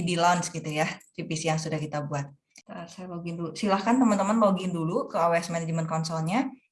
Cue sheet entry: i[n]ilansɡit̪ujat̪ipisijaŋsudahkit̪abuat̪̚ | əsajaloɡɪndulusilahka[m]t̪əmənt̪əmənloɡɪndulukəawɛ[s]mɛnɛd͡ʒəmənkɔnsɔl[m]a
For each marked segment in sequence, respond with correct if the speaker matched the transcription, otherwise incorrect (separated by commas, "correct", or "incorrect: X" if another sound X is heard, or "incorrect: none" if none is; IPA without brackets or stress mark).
incorrect: d, incorrect: n, correct, incorrect: ɲ